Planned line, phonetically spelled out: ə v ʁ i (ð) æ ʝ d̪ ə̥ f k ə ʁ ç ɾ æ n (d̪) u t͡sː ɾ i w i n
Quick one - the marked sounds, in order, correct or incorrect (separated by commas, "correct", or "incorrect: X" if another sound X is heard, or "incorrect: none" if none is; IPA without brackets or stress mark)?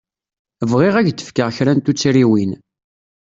incorrect: ʁ, incorrect: t̪